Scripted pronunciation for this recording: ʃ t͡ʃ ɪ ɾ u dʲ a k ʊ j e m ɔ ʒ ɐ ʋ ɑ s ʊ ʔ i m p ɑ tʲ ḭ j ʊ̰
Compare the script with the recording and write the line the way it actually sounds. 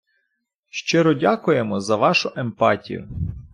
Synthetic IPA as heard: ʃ t͡ʃ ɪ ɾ ɔ dʲ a k ʊ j e m ɔ z ɐ ʋ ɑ ʃ ʊ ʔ e m p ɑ tʲ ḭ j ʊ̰